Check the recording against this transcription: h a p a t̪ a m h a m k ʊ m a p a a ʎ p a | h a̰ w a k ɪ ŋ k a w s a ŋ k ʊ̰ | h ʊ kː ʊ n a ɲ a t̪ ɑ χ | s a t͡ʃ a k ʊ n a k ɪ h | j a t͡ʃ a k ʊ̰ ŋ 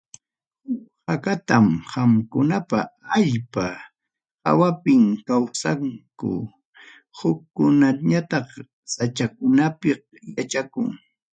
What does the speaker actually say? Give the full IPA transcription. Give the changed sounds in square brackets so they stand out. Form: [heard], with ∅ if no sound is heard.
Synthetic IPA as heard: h a [k] a t̪ a m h a m k ʊ [n] a p a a ʎ p a | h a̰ w a [p] ɪ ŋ k a w s a ŋ k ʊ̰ | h ʊ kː ʊ n a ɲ a t̪ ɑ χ | s a t͡ʃ a k ʊ n a [p] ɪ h | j a t͡ʃ a k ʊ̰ ŋ